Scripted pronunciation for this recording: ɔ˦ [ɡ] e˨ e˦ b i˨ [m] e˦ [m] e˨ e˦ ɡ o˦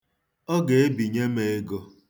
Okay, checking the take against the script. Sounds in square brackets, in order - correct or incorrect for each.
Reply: correct, incorrect, correct

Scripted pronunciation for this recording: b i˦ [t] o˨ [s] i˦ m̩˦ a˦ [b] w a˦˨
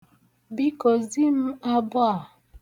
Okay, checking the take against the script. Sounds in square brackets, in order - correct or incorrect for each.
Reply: incorrect, incorrect, correct

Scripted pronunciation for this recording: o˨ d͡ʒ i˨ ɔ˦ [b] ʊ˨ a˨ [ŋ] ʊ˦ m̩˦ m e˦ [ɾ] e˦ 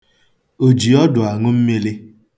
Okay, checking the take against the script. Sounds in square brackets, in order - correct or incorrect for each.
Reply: incorrect, correct, incorrect

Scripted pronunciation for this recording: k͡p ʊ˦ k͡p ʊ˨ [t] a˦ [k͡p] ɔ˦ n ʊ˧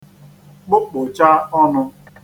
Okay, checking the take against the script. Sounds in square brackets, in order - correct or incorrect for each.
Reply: incorrect, incorrect

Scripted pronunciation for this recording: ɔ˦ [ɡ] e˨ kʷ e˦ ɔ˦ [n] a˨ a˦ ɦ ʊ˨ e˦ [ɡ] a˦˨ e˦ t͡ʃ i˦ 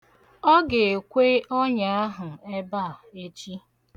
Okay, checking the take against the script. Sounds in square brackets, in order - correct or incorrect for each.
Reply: correct, incorrect, incorrect

